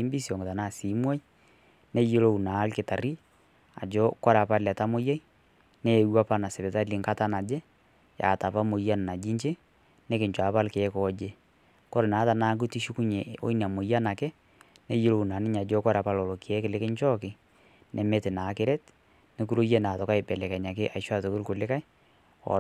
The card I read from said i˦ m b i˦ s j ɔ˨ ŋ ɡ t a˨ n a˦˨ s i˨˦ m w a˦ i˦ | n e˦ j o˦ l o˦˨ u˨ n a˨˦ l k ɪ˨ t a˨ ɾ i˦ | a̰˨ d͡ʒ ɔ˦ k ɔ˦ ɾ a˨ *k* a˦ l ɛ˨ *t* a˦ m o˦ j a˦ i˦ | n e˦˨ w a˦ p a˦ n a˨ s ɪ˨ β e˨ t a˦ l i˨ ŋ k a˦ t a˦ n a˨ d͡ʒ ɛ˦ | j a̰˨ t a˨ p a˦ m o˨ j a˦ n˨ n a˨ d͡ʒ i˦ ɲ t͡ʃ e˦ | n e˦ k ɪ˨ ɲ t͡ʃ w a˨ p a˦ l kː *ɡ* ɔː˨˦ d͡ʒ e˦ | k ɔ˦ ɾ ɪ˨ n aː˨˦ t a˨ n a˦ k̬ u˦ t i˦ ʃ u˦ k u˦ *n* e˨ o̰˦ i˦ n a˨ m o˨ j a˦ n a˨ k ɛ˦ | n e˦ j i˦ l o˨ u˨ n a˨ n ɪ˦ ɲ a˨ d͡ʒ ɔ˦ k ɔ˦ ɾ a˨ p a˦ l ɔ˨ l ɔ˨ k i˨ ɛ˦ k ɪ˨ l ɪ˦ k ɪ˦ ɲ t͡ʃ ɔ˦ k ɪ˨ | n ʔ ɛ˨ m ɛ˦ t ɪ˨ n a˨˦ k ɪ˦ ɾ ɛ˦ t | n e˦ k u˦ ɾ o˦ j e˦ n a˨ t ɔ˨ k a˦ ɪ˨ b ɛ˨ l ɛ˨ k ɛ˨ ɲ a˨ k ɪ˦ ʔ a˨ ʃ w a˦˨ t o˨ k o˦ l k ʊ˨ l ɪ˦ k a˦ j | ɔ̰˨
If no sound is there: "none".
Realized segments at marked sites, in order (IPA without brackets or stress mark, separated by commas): p, t, k, ɲ